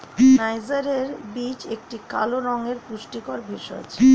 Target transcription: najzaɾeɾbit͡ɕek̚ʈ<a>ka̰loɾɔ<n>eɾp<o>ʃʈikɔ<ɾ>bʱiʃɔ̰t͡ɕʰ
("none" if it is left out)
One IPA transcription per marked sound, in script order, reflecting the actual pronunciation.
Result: i, ŋ, u, ɾ

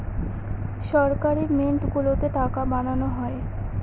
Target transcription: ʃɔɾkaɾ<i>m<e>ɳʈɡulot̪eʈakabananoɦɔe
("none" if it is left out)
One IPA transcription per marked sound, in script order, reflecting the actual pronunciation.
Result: i, e

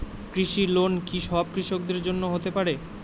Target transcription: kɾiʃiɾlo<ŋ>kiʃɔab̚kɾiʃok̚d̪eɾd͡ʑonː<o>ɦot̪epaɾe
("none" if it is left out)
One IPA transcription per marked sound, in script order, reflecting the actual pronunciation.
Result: n, o

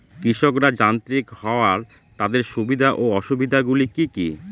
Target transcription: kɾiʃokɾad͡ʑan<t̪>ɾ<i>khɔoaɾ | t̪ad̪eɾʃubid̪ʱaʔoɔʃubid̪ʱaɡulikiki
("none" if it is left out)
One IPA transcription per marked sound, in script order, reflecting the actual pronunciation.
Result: t̪, i

